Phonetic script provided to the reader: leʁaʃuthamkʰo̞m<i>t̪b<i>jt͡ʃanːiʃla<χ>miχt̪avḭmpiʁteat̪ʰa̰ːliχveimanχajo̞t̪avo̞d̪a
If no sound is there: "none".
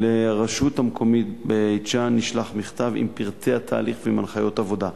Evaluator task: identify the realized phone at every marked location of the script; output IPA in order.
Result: i, e, χ

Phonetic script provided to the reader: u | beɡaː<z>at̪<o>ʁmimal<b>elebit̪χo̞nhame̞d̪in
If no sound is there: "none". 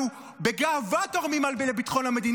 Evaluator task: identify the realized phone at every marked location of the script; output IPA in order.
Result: v, o, b

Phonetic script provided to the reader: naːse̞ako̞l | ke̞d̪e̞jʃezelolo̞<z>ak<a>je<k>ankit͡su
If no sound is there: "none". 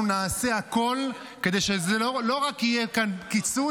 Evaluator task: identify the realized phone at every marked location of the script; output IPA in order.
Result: ʁ, i, k

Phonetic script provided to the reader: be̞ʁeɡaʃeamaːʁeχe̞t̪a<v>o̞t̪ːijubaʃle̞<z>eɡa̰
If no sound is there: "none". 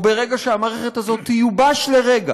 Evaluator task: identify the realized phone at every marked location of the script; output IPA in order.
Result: z, ʁ

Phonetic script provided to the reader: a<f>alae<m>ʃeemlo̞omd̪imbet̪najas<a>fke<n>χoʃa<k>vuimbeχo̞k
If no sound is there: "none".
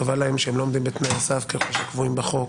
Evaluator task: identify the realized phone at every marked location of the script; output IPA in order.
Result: v, m, a, none, k

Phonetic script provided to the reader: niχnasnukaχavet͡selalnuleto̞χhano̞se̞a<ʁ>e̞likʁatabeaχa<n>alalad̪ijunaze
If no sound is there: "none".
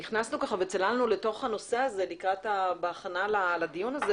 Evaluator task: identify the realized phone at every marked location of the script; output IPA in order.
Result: z, n

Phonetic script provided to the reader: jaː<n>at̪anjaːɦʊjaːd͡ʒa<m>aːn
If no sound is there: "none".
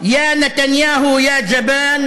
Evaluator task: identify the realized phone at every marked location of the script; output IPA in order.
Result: n, b

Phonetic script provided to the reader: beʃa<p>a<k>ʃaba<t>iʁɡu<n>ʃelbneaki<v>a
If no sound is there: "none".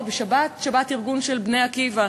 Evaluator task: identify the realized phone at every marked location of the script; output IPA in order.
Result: b, t, t, n, v

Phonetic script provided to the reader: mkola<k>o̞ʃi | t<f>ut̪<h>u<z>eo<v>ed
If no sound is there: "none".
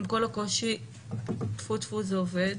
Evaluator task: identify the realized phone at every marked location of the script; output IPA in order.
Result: k, f, f, z, v

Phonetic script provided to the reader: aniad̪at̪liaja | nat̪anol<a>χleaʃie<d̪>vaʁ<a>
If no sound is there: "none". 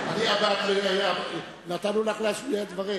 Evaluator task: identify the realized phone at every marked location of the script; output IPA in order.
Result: a, d̪, i

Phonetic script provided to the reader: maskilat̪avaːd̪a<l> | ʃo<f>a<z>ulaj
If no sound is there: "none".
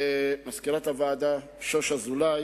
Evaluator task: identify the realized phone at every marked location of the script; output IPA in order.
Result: none, ʃ, z

